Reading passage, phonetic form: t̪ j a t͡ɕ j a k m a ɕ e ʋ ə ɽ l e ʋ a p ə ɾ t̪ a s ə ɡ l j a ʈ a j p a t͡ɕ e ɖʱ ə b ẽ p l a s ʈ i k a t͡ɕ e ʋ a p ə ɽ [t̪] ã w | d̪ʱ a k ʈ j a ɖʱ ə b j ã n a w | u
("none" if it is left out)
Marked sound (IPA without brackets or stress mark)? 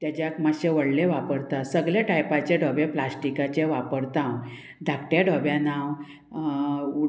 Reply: t̪